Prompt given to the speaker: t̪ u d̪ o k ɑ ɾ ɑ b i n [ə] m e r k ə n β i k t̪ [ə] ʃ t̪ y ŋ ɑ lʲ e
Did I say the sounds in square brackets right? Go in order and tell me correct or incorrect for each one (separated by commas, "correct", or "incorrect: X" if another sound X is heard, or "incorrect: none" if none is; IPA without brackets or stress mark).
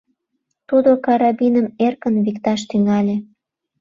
correct, incorrect: ɑ